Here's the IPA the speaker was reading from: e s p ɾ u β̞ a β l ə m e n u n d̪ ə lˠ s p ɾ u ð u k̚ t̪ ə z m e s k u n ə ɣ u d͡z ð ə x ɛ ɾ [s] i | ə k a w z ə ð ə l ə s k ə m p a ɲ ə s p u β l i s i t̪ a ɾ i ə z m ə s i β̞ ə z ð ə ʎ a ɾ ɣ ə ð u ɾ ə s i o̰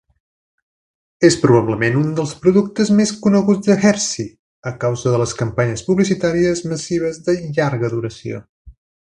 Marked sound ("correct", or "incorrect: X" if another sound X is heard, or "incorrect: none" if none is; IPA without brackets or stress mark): correct